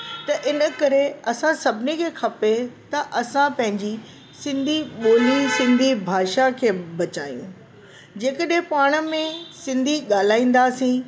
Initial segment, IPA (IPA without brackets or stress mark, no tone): t̪